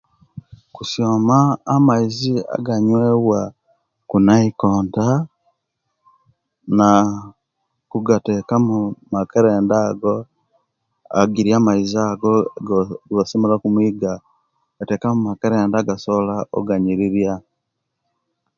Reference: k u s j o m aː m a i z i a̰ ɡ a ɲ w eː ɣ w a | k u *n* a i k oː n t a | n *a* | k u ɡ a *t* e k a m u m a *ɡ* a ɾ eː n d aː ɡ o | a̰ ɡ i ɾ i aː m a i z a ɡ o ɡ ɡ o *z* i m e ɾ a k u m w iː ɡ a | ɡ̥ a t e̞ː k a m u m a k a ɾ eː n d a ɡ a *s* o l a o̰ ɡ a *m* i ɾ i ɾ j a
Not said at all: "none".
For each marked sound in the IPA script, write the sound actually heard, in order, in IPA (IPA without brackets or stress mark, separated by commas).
n, a, t, k, s, s, ɲ